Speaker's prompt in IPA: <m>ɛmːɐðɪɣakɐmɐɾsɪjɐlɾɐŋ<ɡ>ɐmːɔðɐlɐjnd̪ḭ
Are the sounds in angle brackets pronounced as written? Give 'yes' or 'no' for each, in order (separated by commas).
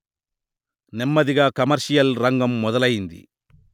no, yes